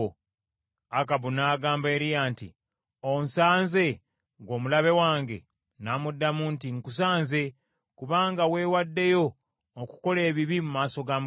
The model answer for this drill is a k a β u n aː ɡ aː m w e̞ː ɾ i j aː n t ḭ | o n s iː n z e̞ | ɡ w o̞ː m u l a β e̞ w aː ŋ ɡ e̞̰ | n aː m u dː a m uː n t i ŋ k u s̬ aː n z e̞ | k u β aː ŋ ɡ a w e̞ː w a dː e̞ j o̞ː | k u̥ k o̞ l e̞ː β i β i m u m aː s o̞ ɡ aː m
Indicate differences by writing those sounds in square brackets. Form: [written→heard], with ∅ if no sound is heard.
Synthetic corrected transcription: a k a β u n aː ɡ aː m [w→b] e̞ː ɾ i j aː n t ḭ | o n s [iː→aː] n z e̞ | ɡ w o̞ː m u l a β e̞ w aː ŋ ɡ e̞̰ | n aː m u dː a m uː n t i ŋ k u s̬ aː n z e̞ | k u β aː ŋ ɡ a w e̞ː w a dː e̞ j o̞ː | k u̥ k o̞ l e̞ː β i β i m u m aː s o̞ ɡ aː m

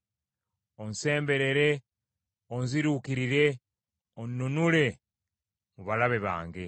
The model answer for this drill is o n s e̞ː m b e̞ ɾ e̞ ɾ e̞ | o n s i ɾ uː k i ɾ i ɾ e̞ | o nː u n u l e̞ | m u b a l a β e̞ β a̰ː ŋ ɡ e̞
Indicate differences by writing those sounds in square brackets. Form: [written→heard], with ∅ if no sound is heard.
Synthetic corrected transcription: o n s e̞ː m b e̞ ɾ e̞ ɾ e̞ | o n [s→z] i ɾ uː k i ɾ i ɾ e̞ | o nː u n u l e̞ | m u [b→β] a l a β e̞ β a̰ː ŋ ɡ e̞

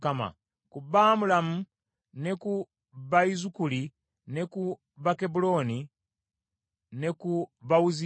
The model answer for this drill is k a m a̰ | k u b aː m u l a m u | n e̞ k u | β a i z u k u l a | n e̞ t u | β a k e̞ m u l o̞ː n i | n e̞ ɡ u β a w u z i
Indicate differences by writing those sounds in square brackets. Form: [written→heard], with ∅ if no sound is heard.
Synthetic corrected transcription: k a m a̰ | k u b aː m u l a m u | n e̞ k u | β a i z u k u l [a→i] | n e̞ [t→k] u | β a k e̞ [m→b] u l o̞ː n i | n e̞ [ɡ→k] u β a w u z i

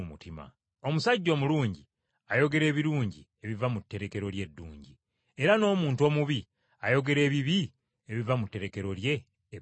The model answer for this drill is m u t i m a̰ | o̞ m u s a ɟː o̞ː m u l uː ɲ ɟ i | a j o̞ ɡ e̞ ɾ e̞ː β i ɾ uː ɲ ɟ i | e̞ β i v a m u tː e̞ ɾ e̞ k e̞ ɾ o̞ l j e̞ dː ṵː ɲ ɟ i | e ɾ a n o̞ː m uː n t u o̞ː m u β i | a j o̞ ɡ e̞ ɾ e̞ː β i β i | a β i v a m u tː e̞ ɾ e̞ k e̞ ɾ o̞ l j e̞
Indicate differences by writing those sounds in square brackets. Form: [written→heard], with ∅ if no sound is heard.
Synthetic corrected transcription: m u t i m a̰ | o̞ m u s a ɟː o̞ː m u l uː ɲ ɟ i | a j o̞ ɡ e̞ ɾ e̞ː β i ɾ uː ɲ ɟ i | e̞ β i v a m u tː e̞ ɾ e̞ k e̞ ɾ o̞ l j e̞ dː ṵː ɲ ɟ i | e ɾ a n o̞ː m uː n t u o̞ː m u β i | a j o̞ ɡ e̞ ɾ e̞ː β i β i | [a→e] β i v a m u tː e̞ ɾ e̞ k e̞ ɾ o̞ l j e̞

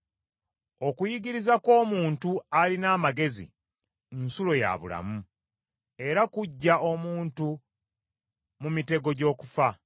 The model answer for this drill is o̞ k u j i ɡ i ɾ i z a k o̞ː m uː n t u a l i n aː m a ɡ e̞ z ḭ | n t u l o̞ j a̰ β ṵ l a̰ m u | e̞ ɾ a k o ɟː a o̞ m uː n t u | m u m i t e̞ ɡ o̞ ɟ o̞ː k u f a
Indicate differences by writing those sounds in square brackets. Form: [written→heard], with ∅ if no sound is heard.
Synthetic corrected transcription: o̞ k u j i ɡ i ɾ i z a k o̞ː m uː n t u a l i n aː m a ɡ e̞ z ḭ | n [t→s] u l o̞ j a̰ β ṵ l a̰ m u | e̞ ɾ a k [o→u] ɟː a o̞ m uː n t u | m u m i t e̞ ɡ o̞ ɟ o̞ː k u f a

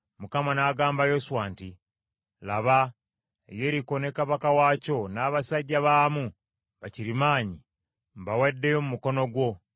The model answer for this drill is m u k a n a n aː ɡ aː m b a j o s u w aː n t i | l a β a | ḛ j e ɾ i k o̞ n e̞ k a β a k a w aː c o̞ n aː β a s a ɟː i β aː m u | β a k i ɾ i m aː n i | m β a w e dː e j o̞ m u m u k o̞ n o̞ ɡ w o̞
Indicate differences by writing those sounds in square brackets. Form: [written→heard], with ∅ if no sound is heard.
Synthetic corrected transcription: m u k a [n→m] a n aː ɡ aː m b a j o s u w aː n t i | l a β a | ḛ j e ɾ i k o̞ n e̞ k a β a k a w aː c o̞ n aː β a s a ɟː [i→a] β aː m u | β a [k→c] i ɾ i m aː [n→ɲ] i | m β a w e dː e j o̞ m u m u k o̞ n o̞ ɡ w o̞

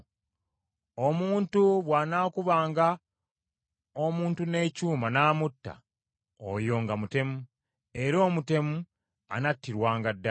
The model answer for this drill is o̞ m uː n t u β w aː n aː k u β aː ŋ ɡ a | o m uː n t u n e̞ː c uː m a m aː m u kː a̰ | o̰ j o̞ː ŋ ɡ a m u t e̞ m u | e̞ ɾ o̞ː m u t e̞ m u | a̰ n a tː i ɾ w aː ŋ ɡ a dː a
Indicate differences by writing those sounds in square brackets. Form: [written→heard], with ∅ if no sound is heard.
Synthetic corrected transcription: o̞ m uː n t u β w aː n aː k u β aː ŋ ɡ a | o m uː n t u n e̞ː c uː m a [m→n] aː m u [kː→tː] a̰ | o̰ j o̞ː ŋ ɡ a m u t e̞ m u | e̞ ɾ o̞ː m u t e̞ m u | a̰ n a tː i ɾ w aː ŋ ɡ a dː a

